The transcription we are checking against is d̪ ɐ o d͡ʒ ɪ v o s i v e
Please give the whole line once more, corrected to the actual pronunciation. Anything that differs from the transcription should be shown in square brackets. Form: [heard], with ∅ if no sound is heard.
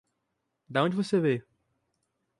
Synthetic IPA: d̪ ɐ [õ] d͡ʒ ɪ v o s [e] v e